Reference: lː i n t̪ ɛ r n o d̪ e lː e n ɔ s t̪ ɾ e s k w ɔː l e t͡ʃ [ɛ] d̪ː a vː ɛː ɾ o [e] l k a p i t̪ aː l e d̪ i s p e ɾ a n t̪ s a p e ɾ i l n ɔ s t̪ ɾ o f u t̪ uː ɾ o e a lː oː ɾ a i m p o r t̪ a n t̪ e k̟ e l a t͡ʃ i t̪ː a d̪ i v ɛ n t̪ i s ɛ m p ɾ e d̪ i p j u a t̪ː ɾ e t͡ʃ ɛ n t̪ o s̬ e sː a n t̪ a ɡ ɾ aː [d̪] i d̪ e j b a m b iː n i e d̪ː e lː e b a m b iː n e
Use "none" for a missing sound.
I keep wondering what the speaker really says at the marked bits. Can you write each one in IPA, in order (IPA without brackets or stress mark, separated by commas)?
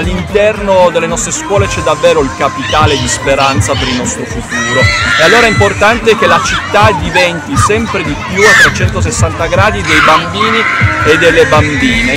ɛ, i, d̪